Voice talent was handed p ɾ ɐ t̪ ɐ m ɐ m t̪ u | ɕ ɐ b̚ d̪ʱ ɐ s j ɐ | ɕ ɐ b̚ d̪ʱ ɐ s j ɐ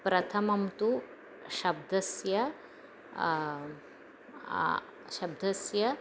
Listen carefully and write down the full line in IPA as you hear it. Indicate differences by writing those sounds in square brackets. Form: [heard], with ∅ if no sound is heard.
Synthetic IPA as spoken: p ɾ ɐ [t̪ʰ] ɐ m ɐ m t̪ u | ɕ ɐ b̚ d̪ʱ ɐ s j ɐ | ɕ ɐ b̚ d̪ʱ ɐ s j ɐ

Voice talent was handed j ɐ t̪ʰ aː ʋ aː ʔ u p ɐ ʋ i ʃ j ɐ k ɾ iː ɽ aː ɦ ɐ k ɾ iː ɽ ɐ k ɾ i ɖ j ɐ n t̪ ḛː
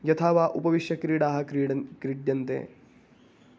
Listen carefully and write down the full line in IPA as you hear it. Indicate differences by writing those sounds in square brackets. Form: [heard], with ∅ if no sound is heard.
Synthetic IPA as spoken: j ɐ t̪ʰ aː ʋ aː ʔ u p ɐ ʋ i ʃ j ɐ k ɾ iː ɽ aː ɦ ɐ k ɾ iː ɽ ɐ k ɾ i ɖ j ɐ n t̪ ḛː

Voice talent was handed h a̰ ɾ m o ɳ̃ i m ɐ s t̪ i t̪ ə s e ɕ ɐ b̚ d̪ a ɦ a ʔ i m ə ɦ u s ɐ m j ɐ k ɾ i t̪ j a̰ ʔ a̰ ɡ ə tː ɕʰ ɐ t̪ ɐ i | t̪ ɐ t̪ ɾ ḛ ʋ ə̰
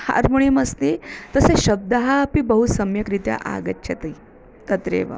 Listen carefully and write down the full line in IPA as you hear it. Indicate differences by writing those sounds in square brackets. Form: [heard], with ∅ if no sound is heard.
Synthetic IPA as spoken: h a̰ ɾ m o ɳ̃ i m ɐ s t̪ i t̪ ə s e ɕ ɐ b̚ d̪ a ɦ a [p] i [b] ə ɦ u s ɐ m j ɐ k ɾ i t̪ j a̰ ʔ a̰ ɡ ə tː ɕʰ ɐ t̪ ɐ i | t̪ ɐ t̪ ɾ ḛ ʋ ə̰

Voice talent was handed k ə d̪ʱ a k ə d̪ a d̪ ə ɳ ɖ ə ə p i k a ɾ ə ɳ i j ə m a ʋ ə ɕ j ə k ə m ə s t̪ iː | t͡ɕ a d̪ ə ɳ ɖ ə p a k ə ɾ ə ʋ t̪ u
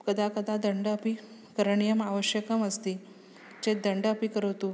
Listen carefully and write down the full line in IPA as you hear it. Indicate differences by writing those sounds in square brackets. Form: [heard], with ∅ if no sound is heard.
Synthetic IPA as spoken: k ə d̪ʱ a k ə d̪ a d̪ ə ɳ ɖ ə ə p i k [ə] ɾ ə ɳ i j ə m a ʋ ə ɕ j ə k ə m ə s t̪ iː | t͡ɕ [e] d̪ ə ɳ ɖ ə p [i] k ə ɾ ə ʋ t̪ u

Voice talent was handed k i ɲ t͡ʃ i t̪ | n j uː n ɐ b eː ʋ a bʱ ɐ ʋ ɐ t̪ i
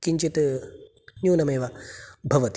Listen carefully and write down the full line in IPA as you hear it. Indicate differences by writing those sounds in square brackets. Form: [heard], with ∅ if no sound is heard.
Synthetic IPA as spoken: k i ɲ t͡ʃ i t̪ | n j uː n ɐ [m] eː ʋ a bʱ ɐ ʋ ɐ t̪ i

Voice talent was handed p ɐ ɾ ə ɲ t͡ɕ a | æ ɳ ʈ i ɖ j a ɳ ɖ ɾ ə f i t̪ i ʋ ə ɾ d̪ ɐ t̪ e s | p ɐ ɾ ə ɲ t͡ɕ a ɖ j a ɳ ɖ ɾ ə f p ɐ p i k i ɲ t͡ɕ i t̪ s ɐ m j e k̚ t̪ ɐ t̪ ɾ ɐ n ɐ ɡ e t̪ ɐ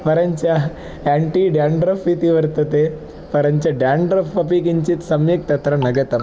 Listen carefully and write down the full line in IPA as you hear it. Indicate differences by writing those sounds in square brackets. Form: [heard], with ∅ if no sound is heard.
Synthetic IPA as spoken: p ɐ ɾ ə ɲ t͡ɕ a | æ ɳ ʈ i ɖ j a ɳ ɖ ɾ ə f i t̪ i ʋ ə ɾ [t̪] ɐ t̪ e [∅] | p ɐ ɾ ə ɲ t͡ɕ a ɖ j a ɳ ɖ ɾ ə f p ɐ p i k i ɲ t͡ɕ i t̪ s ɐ m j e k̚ t̪ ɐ t̪ ɾ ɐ n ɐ ɡ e t̪ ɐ

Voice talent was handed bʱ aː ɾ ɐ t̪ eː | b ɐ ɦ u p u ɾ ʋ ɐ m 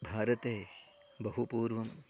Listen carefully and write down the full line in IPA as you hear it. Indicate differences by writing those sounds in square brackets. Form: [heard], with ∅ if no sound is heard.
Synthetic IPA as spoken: bʱ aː ɾ ɐ t̪ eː | b ɐ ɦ u p [uː] ɾ ʋ ɐ m

